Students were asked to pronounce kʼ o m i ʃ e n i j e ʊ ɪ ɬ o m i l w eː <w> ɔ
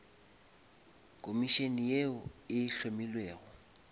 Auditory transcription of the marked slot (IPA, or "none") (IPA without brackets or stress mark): ɣ